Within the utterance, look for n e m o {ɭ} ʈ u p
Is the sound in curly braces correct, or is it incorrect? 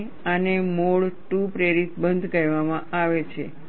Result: correct